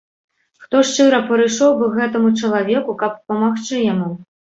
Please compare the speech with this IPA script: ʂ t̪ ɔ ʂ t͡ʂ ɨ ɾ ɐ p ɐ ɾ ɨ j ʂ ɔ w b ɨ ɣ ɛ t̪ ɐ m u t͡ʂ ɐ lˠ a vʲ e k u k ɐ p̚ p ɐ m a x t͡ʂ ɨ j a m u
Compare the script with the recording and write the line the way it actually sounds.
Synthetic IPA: x t̪ ɔ ʂ t͡ʂ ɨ ɾ ɐ p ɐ ɾ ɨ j ʂ ɔ w b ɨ ɣ ɛ t̪ ɐ m u t͡ʂ ɐ lˠ a vʲ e k u k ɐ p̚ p ɐ m a x t͡ʂ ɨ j a m u